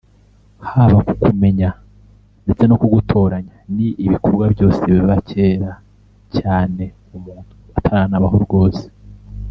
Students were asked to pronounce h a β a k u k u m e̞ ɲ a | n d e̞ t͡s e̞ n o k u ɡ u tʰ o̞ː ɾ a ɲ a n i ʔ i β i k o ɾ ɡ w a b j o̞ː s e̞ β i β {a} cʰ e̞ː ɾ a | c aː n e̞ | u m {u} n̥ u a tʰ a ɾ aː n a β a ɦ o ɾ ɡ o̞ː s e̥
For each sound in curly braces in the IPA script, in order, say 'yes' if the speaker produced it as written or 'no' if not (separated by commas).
yes, no